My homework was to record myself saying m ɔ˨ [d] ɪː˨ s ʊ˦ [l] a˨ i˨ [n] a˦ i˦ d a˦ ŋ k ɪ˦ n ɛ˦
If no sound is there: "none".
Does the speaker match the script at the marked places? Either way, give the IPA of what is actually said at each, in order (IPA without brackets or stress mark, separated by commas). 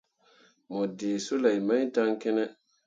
d, l, m